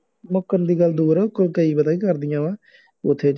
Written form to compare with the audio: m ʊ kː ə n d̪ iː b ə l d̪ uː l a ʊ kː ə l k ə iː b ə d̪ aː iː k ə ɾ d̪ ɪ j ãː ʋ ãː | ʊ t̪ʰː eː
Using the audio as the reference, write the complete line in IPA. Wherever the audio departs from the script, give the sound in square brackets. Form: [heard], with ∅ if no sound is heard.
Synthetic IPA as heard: m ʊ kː ə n d̪ iː [ɡ] ə l d̪ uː [ɾ] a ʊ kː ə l k ə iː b ə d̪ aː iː k ə ɾ d̪ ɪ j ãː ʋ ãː | ʊ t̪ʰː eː